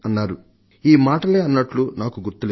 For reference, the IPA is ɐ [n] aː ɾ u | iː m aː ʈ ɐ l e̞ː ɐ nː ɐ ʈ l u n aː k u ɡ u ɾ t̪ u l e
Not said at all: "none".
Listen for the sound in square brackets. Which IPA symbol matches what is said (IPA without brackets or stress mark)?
nː